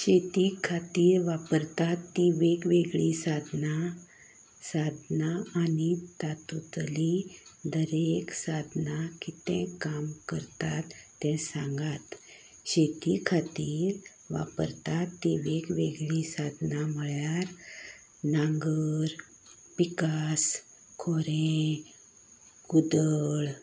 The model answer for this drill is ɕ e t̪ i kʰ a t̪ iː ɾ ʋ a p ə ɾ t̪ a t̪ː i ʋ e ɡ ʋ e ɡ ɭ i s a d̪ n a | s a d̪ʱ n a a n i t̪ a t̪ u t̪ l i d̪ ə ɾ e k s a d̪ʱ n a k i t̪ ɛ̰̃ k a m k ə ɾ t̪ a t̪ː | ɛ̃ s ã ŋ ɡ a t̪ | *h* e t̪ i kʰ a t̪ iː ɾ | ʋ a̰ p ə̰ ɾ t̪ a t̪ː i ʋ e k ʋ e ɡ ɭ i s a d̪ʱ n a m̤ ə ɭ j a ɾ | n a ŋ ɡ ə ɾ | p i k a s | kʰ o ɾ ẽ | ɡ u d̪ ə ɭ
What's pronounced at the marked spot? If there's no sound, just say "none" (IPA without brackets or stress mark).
ɕ